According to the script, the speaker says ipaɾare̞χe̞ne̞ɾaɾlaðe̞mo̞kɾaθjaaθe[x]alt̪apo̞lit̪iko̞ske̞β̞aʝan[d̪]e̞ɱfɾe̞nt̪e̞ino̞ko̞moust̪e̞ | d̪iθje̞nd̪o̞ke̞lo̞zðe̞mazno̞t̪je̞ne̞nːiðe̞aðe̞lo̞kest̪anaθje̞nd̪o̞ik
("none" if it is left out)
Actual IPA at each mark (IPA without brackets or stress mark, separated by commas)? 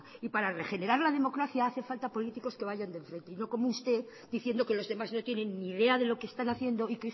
f, d̪